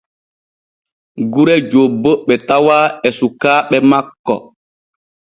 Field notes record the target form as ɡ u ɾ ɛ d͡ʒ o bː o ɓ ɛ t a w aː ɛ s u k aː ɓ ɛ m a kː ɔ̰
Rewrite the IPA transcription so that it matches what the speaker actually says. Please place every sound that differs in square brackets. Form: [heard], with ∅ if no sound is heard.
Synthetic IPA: ɡ u ɾ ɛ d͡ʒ o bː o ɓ ɛ t a w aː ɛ s u k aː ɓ ɛ m a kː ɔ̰